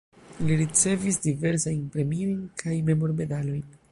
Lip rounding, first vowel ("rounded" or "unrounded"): unrounded